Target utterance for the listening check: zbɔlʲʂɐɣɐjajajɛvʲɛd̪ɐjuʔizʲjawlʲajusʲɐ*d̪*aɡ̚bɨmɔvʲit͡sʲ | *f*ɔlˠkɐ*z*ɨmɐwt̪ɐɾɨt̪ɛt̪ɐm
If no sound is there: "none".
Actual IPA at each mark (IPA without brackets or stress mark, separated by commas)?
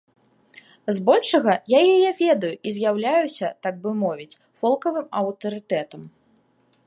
t̪, f, v